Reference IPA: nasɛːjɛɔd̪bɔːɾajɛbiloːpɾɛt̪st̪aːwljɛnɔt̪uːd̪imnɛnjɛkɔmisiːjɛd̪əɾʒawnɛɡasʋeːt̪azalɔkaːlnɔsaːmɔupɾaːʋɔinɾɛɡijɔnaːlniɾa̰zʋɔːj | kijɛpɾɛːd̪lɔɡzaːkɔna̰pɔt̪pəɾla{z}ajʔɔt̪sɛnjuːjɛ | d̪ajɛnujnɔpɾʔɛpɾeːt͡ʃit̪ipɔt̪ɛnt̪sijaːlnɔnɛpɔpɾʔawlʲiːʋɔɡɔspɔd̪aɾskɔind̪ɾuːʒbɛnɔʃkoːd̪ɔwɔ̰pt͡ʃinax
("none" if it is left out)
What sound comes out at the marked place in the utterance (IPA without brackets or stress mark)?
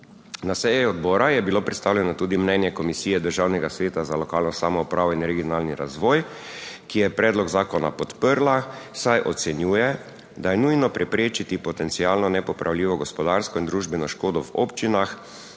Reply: s